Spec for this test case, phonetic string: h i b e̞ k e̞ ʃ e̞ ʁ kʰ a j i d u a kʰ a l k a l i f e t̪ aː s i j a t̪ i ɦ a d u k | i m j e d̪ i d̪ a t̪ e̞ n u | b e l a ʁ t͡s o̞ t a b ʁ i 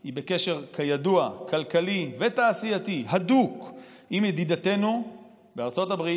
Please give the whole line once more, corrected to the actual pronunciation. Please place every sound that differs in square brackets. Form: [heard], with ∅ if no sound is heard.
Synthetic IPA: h i b e̞ k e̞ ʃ e̞ ʁ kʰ a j [a] d u a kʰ a l k a l i [v] e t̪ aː s i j a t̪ i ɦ a d u k | i m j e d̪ i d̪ a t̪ e̞ n u | b e [∅] a ʁ t͡s o̞ t a b ʁ i